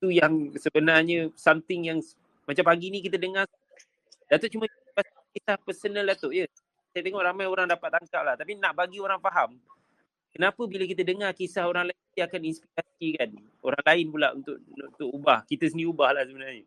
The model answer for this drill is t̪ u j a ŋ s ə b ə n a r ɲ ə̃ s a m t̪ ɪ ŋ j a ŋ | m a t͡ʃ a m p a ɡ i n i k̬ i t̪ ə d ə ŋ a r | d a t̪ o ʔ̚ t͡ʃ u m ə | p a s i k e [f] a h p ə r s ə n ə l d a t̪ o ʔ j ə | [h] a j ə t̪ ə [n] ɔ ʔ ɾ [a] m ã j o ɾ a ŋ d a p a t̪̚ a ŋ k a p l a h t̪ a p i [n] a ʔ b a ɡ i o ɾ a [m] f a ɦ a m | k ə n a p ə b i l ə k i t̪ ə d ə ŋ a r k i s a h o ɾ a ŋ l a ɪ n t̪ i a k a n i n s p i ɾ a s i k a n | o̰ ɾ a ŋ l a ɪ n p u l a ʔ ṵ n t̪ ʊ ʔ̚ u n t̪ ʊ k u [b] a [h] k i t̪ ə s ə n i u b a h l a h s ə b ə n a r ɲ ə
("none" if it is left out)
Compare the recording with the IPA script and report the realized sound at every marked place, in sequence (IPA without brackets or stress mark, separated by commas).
s, s, ŋ, a, n, ŋ, b, h